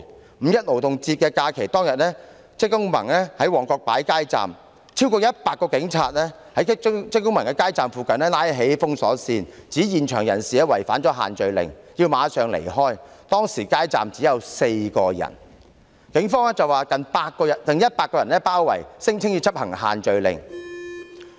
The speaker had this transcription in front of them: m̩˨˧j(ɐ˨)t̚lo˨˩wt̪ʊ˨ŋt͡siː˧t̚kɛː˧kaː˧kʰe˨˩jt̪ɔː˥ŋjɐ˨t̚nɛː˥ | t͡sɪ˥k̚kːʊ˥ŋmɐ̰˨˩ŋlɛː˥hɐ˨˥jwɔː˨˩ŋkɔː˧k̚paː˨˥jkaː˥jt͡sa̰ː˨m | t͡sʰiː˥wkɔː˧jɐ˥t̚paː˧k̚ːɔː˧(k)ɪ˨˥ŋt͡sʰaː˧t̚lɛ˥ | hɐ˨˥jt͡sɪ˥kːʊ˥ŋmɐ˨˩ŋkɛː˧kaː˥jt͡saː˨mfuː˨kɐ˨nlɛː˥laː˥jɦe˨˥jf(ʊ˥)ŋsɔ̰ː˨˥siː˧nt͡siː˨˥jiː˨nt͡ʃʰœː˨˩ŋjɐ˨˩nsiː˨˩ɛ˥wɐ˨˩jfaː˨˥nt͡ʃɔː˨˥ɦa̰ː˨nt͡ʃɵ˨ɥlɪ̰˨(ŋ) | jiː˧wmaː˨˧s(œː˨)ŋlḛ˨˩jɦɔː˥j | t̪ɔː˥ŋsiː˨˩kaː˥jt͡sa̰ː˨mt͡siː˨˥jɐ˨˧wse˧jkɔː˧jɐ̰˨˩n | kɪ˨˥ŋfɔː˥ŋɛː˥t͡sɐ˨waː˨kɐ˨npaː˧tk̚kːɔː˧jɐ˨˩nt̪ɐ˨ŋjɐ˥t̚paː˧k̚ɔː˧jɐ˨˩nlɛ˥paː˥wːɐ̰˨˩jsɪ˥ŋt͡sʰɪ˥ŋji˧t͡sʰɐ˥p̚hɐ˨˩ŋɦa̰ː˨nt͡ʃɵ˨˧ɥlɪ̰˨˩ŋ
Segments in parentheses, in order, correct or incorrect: incorrect: ɐ˥, correct, correct, correct, correct

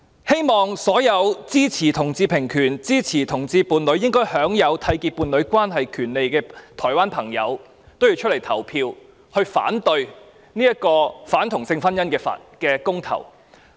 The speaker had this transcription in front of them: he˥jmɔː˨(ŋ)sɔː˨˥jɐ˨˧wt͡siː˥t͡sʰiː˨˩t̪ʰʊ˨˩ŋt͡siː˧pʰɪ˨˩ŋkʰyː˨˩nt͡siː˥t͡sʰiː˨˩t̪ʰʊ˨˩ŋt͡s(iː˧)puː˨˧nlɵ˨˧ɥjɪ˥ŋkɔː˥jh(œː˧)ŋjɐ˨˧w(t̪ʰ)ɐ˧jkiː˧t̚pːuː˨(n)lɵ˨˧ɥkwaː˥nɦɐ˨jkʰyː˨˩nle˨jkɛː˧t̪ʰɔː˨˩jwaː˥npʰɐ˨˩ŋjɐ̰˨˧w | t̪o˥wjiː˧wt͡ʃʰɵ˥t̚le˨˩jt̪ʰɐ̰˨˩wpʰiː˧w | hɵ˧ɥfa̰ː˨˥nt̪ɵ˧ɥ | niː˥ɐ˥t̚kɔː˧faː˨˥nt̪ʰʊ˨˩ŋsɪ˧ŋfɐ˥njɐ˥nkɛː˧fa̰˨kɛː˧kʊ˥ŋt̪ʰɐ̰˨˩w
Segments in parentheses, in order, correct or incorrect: correct, correct, incorrect: œː˨˥, correct, correct

